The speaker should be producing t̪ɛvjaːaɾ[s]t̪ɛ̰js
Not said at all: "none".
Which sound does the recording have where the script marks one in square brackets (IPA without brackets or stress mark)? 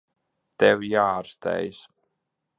s